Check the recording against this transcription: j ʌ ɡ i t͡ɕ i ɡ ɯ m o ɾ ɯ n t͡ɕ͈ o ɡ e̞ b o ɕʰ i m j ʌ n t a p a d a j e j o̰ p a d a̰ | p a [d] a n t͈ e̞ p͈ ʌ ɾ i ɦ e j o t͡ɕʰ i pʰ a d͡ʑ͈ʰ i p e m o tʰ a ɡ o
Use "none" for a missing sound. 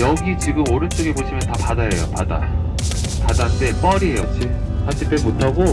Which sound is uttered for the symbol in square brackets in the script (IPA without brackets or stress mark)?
d